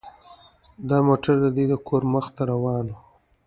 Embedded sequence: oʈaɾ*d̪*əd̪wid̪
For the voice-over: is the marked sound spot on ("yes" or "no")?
yes